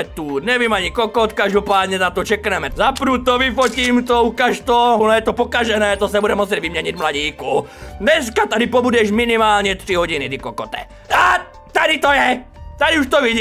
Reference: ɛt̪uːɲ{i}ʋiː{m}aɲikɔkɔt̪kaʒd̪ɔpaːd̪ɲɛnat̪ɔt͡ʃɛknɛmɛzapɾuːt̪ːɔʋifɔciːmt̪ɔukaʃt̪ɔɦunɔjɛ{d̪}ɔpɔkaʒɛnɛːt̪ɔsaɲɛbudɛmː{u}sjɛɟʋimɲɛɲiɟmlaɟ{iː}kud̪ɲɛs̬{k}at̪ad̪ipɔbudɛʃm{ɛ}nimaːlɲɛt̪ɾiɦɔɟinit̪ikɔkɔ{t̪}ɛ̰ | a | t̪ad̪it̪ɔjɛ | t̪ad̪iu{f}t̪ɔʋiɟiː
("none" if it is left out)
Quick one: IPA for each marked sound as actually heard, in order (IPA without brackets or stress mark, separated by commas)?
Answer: ɛ, m, t̪, ɔ, iː, k, i, t̪, ʃ